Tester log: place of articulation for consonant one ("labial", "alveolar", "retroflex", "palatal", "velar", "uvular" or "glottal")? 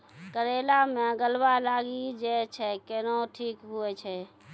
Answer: velar